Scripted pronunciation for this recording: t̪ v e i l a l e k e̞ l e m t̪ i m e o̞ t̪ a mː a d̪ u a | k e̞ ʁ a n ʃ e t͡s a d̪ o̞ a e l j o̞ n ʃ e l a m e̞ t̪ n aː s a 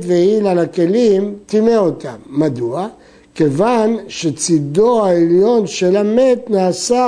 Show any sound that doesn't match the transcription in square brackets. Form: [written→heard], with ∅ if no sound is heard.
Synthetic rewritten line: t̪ v e i l a l [e→a] k e̞ l [e→i] m t̪ i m e o̞ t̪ a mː a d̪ u a | k e̞ [ʁ→v] a n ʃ e t͡s [a→i] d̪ o̞ a e l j o̞ n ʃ e l a m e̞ t̪ n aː s a